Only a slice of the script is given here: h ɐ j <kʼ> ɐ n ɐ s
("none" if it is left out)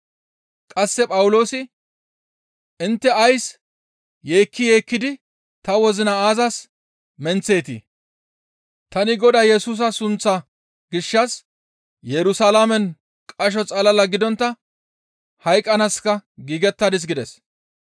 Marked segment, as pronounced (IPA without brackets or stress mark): kʼ